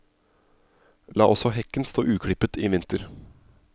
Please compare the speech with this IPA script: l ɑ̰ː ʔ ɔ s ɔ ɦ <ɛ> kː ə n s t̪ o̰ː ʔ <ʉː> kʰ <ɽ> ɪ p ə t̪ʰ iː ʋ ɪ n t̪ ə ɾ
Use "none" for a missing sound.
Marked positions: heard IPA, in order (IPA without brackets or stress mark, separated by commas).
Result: ɛ, ʉː, ɽ